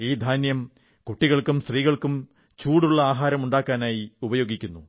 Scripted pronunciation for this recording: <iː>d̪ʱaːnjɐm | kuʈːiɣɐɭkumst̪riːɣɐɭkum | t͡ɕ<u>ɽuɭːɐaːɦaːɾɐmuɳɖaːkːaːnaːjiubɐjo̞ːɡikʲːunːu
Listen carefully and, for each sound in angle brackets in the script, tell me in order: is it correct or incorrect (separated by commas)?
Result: correct, incorrect